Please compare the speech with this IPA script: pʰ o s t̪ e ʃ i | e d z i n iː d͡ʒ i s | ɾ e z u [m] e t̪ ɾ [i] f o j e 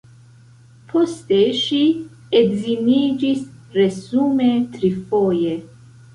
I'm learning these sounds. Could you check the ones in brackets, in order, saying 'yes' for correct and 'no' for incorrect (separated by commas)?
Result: yes, yes